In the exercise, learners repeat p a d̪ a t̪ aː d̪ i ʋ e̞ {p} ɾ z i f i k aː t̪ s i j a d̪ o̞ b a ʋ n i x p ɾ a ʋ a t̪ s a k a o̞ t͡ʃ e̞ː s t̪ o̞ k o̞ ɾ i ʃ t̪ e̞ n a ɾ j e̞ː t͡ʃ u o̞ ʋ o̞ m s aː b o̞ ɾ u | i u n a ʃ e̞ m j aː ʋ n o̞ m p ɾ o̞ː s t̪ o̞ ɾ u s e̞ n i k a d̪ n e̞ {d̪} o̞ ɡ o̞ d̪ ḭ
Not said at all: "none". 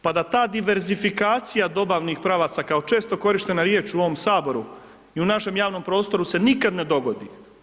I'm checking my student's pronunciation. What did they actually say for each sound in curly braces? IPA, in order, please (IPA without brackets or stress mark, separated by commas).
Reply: none, d̪